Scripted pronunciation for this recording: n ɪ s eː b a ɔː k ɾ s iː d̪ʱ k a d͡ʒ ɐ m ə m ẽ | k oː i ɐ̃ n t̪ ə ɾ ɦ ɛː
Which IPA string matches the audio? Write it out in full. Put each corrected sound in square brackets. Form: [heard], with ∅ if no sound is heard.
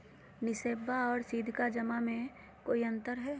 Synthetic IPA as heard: n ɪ s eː b a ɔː [∅] ɾ s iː d̪ʱ k a d͡ʒ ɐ m [a] m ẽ | k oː i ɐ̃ n t̪ ə ɾ ɦ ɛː